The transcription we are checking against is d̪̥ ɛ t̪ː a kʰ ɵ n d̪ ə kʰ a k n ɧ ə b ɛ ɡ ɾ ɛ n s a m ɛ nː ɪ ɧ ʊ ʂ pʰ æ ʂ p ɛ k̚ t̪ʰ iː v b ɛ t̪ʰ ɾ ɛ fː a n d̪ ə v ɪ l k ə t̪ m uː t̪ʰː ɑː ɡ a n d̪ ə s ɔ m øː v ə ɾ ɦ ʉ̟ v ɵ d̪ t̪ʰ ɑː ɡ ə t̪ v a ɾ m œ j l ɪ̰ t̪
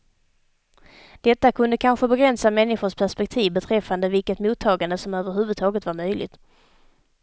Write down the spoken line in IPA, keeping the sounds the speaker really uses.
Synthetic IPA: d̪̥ ɛ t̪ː a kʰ ɵ n d̪ ə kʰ a n ɧ ə b ɛ ɡ ɾ ɛ n s a m ɛ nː ɪ ɧ ʊ ʂ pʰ æ ʂ p ɛ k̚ t̪ʰ iː v b ɛ t̪ʰ ɾ ɛ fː a n d̪ ə v ɪ l k ə t̪ m uː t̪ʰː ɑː ɡ a n d̪ ə s ɔ m øː v ə ɾ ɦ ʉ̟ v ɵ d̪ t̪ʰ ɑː ɡ ə t̪ v a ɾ m œ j l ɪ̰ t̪